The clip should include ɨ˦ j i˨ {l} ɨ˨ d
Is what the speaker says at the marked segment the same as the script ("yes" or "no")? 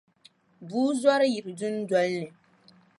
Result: no